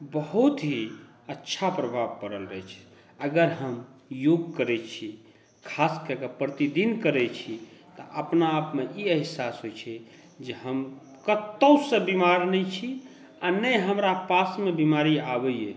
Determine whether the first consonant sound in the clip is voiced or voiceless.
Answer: voiced